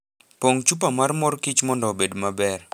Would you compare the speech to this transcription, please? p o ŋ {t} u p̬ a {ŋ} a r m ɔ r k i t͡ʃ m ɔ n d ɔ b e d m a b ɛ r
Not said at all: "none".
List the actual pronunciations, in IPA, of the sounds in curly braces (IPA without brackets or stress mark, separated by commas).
t͡ʃ, m